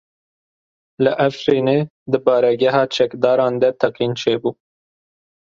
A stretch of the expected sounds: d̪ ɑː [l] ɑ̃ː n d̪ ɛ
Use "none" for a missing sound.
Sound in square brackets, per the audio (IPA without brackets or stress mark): ɾ